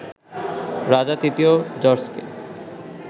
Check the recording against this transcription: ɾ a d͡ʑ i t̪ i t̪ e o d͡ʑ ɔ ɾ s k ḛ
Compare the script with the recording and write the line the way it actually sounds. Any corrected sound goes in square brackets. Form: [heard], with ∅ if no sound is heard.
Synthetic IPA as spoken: ɾ a d͡ʑ [a] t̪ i t̪ [i] o d͡ʑ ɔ ɾ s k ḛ